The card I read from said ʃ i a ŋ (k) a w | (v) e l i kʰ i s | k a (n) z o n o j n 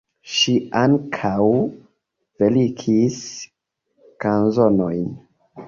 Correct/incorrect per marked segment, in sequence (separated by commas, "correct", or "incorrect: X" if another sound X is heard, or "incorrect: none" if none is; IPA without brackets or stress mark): incorrect: kʰ, correct, correct